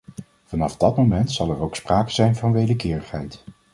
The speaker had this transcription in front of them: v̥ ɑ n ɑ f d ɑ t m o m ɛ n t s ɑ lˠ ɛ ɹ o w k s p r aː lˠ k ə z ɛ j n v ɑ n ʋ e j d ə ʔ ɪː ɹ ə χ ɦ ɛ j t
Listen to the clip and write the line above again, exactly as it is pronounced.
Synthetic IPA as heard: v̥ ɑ n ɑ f d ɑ t m o m ɛ n t s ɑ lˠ ɛ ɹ o w k s p r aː k ə z ɛ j n v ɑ n ʋ e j d ə k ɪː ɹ ə χ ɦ ɛ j t